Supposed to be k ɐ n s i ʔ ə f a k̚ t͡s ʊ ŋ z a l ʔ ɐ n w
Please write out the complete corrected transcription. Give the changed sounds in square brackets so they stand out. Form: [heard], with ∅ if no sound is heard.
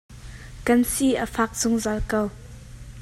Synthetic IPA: k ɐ n s i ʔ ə f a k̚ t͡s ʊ ŋ z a l [k] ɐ [∅] w